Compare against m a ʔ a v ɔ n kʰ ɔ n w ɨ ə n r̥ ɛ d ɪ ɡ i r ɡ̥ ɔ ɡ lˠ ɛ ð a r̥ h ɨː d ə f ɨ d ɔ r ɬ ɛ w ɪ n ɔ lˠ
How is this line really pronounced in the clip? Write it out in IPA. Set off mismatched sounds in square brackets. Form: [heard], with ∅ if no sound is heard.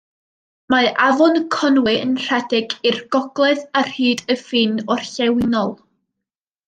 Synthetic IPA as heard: m a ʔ a v ɔ n kʰ ɔ n w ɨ ə n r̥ ɛ d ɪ ɡ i r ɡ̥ ɔ ɡ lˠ ɛ ð a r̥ h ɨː d ə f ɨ [n] ɔ r ɬ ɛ w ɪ n ɔ lˠ